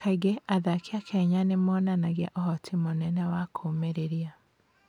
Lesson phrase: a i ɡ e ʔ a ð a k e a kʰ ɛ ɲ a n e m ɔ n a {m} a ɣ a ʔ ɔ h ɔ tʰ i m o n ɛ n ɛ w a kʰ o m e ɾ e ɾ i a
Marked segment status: incorrect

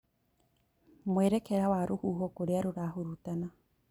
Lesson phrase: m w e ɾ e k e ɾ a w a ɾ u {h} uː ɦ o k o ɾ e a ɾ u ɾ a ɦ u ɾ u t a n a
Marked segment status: correct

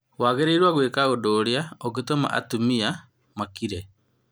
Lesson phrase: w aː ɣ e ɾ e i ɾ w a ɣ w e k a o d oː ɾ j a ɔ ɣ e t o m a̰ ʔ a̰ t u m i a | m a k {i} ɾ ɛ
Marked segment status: correct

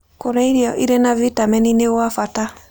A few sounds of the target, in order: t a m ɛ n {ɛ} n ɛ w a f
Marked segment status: incorrect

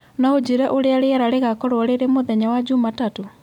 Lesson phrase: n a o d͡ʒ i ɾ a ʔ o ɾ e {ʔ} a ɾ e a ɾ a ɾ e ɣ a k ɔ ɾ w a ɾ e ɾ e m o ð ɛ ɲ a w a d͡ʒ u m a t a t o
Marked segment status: incorrect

